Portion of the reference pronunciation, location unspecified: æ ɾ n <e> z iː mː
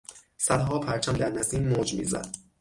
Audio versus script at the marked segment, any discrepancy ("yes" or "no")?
yes